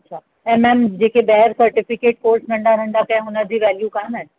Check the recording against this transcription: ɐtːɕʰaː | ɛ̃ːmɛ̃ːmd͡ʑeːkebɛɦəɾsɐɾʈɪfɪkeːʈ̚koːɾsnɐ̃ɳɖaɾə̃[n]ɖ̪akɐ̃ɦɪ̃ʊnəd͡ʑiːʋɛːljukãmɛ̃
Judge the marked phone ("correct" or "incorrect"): incorrect